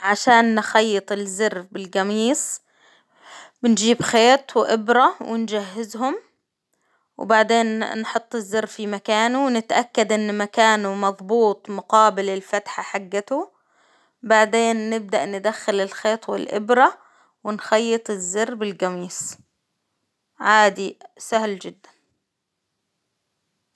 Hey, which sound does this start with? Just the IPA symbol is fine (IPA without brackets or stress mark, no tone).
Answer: ʕ